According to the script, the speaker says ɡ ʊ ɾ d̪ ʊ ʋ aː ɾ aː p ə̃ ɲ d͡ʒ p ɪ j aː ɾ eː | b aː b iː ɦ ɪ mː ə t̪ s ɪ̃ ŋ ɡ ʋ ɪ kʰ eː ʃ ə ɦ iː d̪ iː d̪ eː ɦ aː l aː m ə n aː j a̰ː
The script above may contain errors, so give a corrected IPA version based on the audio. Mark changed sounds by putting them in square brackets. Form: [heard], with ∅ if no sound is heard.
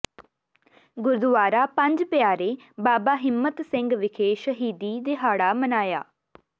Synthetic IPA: ɡ ʊ ɾ d̪ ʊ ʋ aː ɾ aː p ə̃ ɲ d͡ʒ p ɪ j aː ɾ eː | b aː b [aː] ɦ ɪ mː ə t̪ s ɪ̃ ŋ ɡ ʋ ɪ kʰ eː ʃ ə ɦ iː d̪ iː d̪ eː ɦ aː [ɽ] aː m ə n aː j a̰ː